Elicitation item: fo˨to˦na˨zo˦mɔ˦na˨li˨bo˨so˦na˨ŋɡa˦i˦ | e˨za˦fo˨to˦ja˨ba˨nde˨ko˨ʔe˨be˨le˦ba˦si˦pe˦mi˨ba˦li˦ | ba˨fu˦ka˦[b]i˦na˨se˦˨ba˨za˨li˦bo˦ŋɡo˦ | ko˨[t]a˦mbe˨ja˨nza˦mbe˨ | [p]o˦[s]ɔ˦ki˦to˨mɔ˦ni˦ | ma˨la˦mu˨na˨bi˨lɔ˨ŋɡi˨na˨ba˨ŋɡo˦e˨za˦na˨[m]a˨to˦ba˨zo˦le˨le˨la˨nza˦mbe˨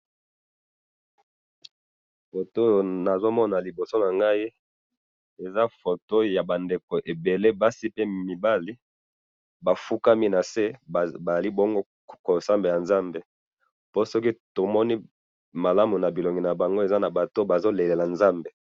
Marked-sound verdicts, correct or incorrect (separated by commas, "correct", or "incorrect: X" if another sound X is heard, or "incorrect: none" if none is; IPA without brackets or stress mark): incorrect: m, incorrect: s, correct, correct, incorrect: b